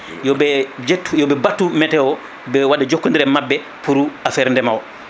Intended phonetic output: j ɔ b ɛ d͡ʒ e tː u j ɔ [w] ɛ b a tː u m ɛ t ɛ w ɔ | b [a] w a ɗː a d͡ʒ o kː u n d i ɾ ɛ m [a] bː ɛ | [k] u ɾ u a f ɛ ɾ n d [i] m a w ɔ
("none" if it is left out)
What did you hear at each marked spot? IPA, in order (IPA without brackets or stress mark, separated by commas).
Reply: b, ɛ, a, p, ɛ